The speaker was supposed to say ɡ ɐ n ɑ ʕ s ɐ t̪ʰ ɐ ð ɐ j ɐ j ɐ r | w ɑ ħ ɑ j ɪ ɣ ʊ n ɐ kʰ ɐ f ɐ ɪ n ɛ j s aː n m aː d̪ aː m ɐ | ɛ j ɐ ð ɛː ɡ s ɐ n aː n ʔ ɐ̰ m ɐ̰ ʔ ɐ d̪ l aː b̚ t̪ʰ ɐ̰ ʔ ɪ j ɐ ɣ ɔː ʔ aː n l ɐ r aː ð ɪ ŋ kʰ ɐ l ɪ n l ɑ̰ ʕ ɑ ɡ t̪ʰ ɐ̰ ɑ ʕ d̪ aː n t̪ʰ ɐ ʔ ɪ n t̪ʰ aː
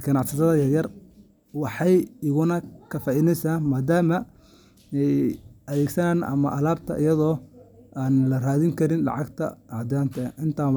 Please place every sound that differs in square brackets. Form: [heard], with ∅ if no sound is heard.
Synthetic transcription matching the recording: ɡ ɐ n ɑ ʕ s ɐ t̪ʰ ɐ ð ɐ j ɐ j ɐ r | w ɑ ħ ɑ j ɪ ɣ ʊ n ɐ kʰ ɐ f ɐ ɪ n ɛ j s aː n m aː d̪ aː m ɐ | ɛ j ɐ ð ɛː ɡ s ɐ n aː n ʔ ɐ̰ m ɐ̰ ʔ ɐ [∅] l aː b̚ t̪ʰ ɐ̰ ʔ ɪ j ɐ [ð] ɔː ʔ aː n l ɐ r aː ð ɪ ŋ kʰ ɐ [ɾ] ɪ n l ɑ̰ ʕ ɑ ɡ t̪ʰ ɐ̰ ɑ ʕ d̪ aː n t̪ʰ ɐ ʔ ɪ n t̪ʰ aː